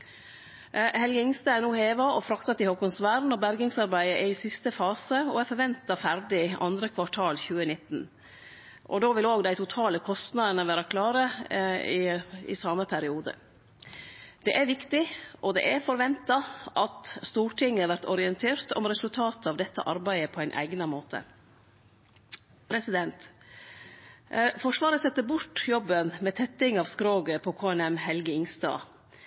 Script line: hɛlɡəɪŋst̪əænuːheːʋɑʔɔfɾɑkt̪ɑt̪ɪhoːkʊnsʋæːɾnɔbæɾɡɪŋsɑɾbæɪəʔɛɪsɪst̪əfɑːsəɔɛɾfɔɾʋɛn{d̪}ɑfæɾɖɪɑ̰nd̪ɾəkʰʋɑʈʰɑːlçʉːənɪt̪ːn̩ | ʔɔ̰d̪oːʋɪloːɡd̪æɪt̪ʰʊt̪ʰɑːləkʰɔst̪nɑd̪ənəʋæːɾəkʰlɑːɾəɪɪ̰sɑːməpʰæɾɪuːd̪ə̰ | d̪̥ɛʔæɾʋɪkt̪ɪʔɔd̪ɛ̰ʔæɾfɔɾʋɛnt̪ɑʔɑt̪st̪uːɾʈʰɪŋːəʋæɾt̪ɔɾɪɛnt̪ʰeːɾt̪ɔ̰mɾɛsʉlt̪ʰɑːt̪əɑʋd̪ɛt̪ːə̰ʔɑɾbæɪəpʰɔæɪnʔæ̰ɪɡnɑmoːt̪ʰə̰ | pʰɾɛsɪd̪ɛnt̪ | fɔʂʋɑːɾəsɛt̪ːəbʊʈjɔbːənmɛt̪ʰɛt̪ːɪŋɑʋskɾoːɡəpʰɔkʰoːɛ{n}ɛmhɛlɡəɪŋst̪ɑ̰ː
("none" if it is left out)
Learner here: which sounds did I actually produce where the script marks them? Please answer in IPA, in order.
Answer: t̪, n

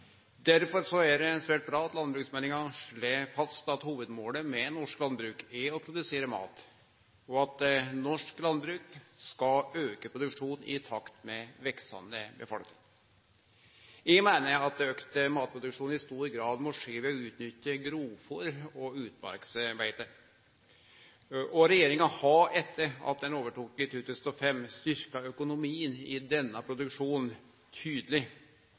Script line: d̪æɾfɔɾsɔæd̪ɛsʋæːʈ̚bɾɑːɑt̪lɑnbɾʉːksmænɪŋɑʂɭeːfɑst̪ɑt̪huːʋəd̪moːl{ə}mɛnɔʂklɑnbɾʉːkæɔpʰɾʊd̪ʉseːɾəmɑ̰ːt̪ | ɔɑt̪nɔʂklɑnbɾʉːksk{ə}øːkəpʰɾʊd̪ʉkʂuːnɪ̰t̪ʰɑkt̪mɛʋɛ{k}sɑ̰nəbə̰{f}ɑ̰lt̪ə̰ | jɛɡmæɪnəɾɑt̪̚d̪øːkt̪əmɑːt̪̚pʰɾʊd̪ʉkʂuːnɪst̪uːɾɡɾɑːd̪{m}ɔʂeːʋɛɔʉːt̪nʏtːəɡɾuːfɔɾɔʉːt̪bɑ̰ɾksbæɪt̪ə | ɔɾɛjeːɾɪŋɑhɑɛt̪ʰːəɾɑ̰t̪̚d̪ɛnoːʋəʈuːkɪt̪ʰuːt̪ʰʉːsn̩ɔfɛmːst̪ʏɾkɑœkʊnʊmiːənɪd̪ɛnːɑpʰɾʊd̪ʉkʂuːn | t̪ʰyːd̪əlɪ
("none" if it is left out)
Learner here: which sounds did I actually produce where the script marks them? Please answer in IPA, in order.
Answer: ə, ɑ, k, f, m

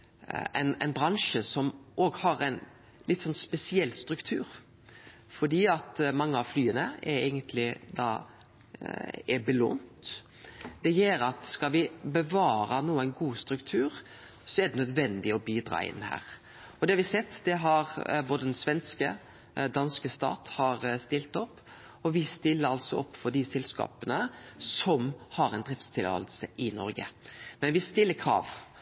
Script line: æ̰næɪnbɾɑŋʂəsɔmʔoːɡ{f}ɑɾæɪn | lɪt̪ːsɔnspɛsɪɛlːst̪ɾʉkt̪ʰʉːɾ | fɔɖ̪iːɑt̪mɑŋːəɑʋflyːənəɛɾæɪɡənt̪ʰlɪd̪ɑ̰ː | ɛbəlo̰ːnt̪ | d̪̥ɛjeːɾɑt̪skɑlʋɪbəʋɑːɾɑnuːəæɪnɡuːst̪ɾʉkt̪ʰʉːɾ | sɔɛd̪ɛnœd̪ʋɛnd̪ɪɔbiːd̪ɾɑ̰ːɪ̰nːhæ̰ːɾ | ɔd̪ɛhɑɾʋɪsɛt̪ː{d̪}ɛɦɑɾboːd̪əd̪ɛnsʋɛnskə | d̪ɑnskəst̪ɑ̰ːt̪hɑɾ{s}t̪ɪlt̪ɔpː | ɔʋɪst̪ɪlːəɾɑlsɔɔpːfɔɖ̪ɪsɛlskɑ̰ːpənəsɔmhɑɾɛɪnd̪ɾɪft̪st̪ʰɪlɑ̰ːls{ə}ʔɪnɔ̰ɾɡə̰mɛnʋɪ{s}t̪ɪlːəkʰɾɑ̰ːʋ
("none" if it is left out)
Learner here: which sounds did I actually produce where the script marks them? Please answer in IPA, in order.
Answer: h, d̪, s, ə, s

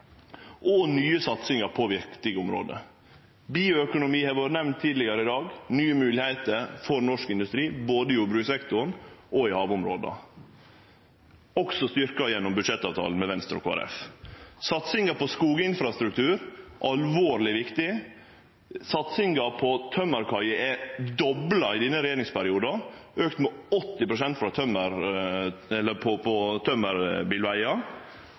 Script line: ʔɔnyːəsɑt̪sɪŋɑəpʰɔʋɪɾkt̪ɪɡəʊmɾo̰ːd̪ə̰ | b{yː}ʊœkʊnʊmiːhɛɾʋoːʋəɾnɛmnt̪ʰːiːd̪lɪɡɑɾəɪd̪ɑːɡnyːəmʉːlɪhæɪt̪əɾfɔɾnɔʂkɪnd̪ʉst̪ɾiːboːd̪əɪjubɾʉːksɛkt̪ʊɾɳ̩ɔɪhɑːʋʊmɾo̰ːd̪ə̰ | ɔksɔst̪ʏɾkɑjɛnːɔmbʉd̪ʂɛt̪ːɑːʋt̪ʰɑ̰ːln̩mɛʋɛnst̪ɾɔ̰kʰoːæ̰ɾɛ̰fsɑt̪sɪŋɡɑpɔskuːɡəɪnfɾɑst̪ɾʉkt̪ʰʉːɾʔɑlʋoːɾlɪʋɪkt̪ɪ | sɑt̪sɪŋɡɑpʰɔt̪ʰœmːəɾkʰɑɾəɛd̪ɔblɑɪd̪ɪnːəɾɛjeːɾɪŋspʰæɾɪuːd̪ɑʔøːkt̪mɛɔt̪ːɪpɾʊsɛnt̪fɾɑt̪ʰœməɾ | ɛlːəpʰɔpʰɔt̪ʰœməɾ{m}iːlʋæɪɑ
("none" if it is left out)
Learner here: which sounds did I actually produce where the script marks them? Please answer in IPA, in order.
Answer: iː, b

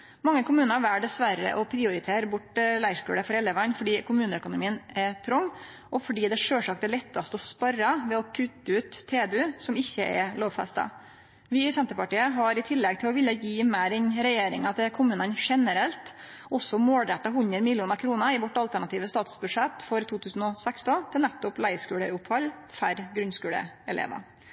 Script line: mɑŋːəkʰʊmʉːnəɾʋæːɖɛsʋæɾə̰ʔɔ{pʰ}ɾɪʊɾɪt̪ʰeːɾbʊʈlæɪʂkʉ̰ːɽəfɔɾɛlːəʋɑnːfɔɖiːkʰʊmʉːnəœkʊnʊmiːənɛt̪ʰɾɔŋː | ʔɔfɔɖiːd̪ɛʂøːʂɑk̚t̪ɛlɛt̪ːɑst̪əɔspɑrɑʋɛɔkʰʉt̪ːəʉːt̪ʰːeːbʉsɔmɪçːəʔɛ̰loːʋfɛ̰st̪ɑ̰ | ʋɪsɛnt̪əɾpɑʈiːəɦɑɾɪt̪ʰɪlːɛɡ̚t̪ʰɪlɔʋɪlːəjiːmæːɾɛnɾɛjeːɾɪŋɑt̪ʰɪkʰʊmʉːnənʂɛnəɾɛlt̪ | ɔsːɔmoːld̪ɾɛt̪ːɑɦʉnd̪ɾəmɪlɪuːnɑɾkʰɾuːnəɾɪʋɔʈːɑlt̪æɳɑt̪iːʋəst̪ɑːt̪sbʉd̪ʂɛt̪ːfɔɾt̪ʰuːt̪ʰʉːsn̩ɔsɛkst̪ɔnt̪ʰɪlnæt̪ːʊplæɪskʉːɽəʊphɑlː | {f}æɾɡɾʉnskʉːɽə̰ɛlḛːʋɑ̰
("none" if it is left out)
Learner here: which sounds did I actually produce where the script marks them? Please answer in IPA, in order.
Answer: pʰ, f

